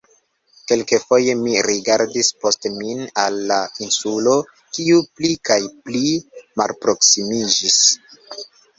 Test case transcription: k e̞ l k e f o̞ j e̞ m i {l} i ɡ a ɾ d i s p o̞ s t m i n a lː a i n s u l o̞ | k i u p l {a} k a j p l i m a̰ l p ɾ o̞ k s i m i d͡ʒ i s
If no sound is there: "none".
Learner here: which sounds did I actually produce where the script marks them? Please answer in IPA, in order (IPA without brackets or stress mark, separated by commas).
ɾ, i